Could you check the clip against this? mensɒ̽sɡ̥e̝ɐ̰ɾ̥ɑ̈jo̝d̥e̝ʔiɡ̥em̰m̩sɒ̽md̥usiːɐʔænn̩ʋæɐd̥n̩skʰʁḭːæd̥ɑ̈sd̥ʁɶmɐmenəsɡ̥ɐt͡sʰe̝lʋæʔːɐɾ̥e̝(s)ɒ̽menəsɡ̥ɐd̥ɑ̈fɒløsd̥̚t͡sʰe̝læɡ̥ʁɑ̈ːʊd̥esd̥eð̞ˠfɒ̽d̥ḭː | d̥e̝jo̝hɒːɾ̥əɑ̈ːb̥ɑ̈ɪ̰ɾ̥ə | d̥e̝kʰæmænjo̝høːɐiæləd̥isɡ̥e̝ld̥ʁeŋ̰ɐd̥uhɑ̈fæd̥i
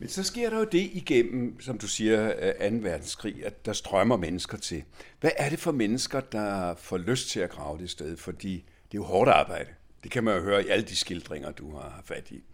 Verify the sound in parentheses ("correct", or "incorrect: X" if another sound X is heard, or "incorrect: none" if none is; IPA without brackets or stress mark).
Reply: incorrect: f